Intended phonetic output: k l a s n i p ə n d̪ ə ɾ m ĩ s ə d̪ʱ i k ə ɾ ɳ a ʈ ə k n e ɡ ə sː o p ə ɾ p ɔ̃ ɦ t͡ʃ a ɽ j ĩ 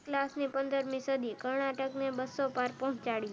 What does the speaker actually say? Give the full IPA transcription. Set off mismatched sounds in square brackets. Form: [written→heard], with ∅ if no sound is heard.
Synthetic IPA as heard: k l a s n i p ə n d̪ ə ɾ m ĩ s ə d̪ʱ i k ə ɾ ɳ a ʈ ə k n e [ɡ→b] ə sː o p [ə→a] ɾ p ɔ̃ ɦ t͡ʃ a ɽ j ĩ